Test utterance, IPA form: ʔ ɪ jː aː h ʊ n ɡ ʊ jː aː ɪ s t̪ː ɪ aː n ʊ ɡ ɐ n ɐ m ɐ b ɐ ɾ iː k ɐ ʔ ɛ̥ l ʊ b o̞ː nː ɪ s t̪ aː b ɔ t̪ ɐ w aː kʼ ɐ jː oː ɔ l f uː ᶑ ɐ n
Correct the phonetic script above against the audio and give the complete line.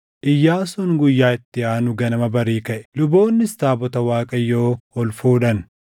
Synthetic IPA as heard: ʔ ɪ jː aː s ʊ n ɡ ʊ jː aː ɪ t̪ː ɪ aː n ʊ ɡ ɐ n ɐ m ɐ b ɐ ɾ iː k ɐ ʔ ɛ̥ l ʊ b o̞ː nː ɪ s t̪ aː b ɔ t̪ ɐ w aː kʼ ɐ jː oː ɔ l f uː ᶑ ɐ n